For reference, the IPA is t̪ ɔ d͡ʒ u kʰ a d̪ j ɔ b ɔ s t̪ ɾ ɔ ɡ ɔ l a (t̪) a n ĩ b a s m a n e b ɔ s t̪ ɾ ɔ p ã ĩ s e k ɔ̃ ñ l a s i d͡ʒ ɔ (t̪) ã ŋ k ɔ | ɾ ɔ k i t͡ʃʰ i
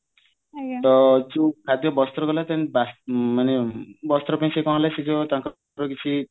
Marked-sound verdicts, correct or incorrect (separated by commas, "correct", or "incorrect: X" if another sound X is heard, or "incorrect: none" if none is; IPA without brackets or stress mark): correct, correct